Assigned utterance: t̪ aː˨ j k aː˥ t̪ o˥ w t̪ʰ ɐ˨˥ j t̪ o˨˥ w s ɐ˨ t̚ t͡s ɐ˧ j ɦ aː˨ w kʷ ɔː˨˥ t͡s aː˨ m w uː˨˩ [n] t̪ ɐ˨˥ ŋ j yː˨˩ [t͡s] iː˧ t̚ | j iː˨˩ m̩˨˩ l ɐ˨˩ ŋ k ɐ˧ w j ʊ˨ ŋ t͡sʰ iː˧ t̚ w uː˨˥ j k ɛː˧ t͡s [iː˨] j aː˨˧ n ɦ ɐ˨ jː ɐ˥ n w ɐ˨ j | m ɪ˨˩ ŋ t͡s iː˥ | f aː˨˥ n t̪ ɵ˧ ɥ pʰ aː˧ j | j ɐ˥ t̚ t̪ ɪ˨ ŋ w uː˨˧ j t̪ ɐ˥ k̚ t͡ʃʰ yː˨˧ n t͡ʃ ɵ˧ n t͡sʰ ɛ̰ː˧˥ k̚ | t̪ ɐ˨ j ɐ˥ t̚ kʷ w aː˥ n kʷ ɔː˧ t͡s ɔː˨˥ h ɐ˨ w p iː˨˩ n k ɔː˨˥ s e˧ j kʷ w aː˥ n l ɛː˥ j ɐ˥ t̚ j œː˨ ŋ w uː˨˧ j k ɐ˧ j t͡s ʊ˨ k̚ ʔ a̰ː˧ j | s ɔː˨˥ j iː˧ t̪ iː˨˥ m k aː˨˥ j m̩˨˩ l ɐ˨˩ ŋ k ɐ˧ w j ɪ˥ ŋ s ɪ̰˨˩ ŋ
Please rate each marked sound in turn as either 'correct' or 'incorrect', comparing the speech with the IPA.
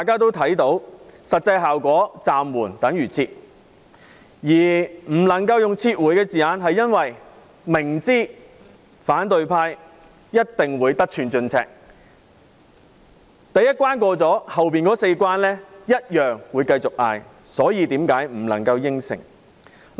correct, incorrect: t͡sʰ, correct

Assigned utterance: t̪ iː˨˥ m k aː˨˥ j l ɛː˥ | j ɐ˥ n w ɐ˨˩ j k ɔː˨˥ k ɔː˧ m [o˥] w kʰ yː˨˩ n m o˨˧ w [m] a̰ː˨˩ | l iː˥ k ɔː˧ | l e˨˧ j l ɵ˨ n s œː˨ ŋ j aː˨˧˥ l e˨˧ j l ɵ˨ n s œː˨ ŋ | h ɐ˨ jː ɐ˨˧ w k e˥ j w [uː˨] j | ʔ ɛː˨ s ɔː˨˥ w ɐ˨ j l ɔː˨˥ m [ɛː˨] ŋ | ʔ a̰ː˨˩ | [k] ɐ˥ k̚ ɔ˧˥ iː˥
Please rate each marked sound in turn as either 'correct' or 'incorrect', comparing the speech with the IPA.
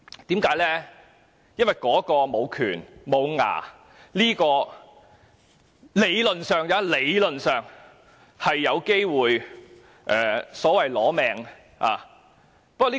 incorrect: o˨˧, incorrect: ŋ, correct, correct, incorrect: p

